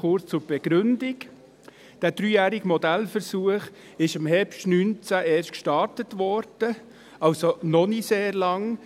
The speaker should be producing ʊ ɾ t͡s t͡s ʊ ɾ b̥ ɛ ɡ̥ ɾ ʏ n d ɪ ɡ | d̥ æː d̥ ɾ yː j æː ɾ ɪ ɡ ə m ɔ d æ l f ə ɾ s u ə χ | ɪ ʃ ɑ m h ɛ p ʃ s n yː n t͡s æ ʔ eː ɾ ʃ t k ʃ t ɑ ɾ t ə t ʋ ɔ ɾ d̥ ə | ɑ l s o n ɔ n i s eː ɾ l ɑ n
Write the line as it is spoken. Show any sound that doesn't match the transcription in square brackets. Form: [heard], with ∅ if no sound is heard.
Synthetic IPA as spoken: ʊ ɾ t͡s t͡s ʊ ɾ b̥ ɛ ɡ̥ ɾ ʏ n d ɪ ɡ | d̥ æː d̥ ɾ yː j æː ɾ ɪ ɡ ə m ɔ d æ l f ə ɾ s u ə χ | ɪ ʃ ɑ m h ɛ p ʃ [t] n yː n t͡s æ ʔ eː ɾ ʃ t k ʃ t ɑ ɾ t ə t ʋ ɔ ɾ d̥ ə | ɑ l s o n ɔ n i s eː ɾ l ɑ [ŋ]